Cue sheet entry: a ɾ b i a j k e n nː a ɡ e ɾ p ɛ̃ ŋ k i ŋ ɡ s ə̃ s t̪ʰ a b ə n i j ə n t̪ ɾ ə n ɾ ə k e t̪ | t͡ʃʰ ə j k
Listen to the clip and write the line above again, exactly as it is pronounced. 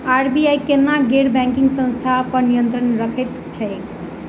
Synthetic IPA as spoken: a ɾ b i a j k e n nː a ɡ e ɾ b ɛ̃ ŋ k i ŋ ɡ s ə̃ s t̪ʰ a p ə n i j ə n t̪ ɾ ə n ɾ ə kʰ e t̪ | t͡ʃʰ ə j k